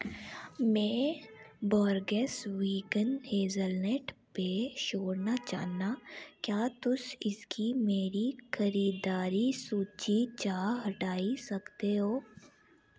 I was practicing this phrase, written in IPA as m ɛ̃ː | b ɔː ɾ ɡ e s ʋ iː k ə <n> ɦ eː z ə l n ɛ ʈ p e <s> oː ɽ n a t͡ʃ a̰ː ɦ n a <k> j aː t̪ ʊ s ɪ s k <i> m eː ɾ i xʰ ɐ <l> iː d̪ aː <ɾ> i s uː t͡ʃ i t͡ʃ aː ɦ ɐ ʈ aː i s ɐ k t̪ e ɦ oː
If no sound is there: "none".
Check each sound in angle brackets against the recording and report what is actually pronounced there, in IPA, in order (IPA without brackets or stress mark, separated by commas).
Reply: n, ʃ, k, i, ɾ, ɾ